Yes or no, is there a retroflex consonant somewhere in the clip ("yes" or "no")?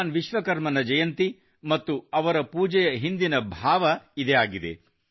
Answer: no